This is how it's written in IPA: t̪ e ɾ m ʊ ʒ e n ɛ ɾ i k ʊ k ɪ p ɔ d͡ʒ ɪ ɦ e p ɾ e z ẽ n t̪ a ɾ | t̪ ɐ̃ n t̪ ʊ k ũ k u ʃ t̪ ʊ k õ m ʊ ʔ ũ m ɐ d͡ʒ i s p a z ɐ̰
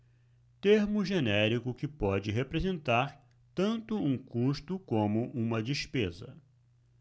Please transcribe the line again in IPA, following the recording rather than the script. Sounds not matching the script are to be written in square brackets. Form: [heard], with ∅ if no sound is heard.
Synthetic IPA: t̪ e ɾ m ʊ ʒ e n ɛ ɾ i k ʊ k ɪ p ɔ d͡ʒ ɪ ɦ e p ɾ e z ẽ n t̪ a ɾ | t̪ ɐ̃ n t̪ ʊ [∅] ũ k u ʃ t̪ ʊ k õ m ʊ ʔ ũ m ɐ d͡ʒ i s p [e] z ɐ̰